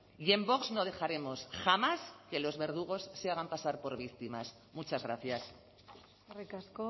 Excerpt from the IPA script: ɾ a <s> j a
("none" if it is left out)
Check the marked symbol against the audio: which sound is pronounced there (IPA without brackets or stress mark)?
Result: θ